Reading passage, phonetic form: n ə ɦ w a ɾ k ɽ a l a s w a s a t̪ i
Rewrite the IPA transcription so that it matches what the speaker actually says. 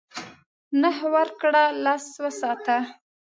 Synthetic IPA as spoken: n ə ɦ w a ɾ k ɽ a l a s w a s ɑ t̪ a

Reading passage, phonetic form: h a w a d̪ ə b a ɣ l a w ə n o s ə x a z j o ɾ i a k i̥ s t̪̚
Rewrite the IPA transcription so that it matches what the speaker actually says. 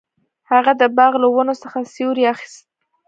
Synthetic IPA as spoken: h a ɣ a d̪ ə b ɑ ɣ l a w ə n o s ə x a s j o ɾ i a x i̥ s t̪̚

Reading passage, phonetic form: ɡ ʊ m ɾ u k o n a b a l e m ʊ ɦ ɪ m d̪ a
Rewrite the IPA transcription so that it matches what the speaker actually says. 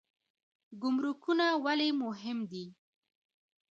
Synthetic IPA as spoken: ɡ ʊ m ɾ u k u n a w a l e m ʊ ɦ ɪ m d̪ i

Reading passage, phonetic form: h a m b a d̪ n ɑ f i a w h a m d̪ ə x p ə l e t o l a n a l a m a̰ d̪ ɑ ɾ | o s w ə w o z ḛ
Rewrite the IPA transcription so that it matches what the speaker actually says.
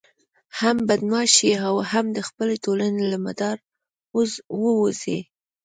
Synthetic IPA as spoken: h a m b a d̪ n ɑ ʃ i a w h a m d̪ ə x p ə l e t o l a n e l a m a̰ d̪ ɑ ɾ | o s w ə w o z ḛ

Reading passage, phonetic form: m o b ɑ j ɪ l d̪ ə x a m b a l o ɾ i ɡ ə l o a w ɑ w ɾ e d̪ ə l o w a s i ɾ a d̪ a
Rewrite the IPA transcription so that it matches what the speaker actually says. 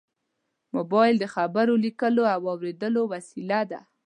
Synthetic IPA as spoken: m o b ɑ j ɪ l d̪ ə x a b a ɾ o l i k ə l o a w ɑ w ɾ e d̪ ə l o w a s i l a d̪ a

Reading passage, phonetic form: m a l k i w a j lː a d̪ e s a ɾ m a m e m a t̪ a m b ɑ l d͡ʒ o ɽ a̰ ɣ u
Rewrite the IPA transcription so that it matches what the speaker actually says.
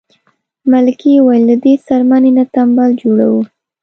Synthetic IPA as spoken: m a l k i w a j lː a d̪ e s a ɾ m a n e n a t̪ a m b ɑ l d͡ʒ o ɽ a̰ w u

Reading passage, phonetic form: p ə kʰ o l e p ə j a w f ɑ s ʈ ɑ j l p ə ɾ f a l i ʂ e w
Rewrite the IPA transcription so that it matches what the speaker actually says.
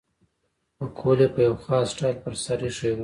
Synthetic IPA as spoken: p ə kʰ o l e p ə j a w x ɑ s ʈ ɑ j l p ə ɾ s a ɾ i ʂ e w

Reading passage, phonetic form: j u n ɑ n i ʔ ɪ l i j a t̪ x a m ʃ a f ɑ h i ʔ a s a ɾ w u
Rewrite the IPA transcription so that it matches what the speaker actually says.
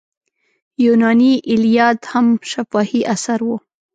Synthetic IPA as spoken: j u n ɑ n i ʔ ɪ l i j ɑ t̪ h a m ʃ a f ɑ h i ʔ a s a ɾ w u

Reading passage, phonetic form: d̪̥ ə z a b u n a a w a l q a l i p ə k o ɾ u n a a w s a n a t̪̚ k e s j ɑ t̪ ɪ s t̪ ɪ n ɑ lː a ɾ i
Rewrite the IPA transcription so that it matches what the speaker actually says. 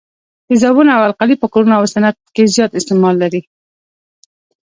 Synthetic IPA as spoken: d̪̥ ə z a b u n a a w a l q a l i p ə k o ɾ u n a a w s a n a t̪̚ k e z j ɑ t̪ ɪ s t̪ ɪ m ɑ lː a ɾ i

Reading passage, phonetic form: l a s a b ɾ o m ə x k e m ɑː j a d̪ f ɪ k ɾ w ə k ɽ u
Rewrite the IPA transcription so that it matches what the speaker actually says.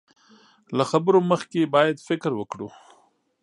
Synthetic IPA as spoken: l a x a b ɾ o m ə x k e b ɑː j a d̪ f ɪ k ɾ w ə k ɽ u

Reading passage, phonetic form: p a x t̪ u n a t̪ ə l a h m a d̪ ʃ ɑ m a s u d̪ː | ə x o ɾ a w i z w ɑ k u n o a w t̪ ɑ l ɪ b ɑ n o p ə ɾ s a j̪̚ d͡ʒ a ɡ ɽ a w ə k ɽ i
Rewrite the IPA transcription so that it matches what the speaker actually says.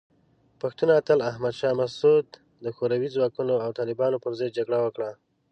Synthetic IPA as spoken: p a x t̪ u n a t̪ ə l a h m a d̪ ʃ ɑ m a s u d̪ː | ə x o ɾ a w i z w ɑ k u n o a w t̪ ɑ l ɪ b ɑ n o p ə ɾ z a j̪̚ d͡ʒ a ɡ ɽ a w ə k ɽ a

